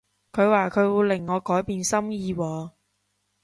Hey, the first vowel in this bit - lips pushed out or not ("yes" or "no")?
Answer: yes